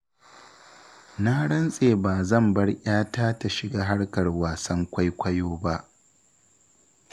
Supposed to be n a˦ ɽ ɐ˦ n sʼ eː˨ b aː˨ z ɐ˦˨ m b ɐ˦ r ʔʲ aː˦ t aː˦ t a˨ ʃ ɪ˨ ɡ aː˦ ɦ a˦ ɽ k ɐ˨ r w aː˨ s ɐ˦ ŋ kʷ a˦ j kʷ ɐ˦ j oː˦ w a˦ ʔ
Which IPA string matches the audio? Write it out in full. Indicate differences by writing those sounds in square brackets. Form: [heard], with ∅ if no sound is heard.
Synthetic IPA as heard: n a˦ ɽ ɐ˦ n sʼ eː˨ b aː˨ z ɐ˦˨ m b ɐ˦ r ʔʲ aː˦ t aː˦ t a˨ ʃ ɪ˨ ɡ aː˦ ɦ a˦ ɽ k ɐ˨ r w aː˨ s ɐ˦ ŋ kʷ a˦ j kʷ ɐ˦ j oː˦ [b] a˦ ʔ